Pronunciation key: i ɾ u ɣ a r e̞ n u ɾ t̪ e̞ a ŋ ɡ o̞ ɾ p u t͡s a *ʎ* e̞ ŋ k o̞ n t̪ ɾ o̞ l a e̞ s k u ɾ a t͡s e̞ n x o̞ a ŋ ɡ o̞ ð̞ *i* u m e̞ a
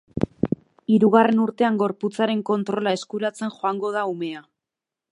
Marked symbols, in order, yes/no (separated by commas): no, no